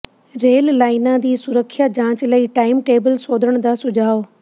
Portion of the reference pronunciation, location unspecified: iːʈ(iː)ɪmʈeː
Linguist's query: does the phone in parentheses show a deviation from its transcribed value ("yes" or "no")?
yes